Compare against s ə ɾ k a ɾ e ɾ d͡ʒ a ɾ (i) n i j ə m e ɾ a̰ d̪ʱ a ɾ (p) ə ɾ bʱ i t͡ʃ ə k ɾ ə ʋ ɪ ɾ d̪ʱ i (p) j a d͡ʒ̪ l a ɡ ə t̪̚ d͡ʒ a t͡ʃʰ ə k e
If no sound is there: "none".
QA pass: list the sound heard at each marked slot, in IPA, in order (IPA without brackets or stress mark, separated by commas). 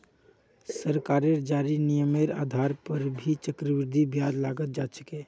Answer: i, p, b